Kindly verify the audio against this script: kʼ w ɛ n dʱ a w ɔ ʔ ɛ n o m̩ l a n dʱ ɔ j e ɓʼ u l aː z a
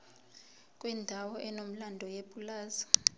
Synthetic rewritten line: kʼ w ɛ n dʱ a w ɔ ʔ ɛ n o m̩ l a n dʱ ɔ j e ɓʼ u l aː z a